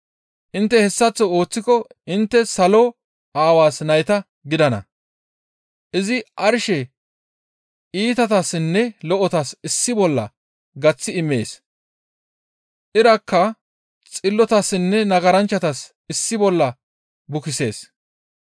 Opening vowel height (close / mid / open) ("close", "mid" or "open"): close